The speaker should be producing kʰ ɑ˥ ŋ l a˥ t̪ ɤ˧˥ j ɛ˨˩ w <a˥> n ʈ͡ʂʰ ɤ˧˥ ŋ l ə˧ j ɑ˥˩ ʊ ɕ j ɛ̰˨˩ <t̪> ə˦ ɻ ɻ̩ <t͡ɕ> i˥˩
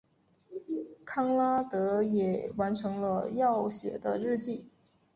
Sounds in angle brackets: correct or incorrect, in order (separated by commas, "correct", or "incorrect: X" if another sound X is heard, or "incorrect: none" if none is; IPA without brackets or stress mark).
incorrect: a˧˥, incorrect: d̪, correct